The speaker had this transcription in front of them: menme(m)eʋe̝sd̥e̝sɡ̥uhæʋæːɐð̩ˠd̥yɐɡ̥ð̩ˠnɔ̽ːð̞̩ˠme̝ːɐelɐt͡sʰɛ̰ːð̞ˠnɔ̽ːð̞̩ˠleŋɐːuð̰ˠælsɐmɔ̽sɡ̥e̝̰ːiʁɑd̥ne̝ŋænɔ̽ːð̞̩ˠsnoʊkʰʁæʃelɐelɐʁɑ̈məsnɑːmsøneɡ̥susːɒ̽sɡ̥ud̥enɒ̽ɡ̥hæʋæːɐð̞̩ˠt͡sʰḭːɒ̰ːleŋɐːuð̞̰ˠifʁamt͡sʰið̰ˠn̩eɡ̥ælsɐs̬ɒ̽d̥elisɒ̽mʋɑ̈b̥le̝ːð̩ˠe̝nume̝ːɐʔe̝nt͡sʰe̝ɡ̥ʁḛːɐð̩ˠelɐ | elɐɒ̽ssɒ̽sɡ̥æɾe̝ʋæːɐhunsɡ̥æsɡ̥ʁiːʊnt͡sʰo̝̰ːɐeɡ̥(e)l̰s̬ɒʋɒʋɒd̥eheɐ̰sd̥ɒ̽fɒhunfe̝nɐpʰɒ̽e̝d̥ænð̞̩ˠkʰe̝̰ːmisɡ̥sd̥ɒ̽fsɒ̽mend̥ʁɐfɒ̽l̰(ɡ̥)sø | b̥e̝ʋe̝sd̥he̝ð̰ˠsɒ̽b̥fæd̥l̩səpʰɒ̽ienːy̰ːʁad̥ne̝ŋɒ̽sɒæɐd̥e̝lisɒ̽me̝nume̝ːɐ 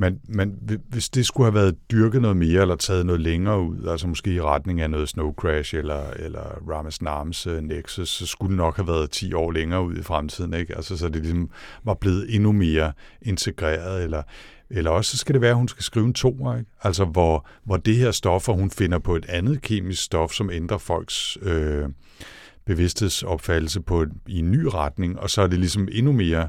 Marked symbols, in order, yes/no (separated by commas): no, no, yes